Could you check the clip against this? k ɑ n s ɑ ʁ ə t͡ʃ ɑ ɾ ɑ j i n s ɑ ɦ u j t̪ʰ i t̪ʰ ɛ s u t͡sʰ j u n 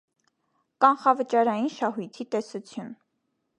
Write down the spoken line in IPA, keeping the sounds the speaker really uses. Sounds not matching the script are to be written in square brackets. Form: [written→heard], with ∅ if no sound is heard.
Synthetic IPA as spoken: k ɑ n [s→χ] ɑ [ʁ→v] ə t͡ʃ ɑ ɾ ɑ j i n [s→ʃ] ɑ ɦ u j t̪ʰ i [t̪ʰ→t̪] ɛ s u t͡sʰ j u n